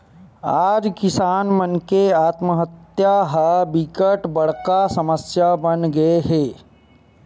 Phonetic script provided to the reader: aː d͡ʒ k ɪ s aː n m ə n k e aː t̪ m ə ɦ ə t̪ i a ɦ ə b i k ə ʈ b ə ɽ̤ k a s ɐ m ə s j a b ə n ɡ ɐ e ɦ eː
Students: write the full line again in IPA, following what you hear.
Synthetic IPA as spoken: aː d͡ʒ k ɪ s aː n m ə n k e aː t̪ m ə ɦ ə t̪ j a ɦ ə b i k ə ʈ b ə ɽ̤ k a s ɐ m ə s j a b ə n ɡ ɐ e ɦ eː